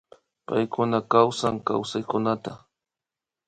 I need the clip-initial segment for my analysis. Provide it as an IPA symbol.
p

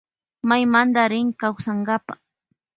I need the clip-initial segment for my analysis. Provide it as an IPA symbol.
m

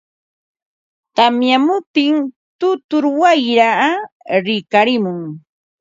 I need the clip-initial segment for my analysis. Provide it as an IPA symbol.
t̪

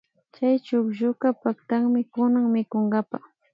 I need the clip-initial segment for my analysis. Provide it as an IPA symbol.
t͡ʃ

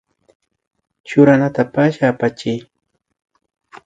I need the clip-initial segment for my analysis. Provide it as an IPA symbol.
t͡ʃ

